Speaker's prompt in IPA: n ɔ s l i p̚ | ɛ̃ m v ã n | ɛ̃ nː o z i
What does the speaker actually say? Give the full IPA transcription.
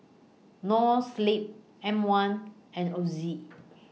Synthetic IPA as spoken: n ɔ s l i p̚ | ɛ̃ m w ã n | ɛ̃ n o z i